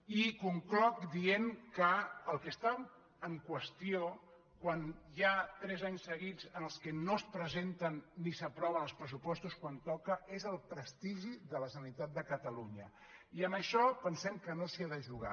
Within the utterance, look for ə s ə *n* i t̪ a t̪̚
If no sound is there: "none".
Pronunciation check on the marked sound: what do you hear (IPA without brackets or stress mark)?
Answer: n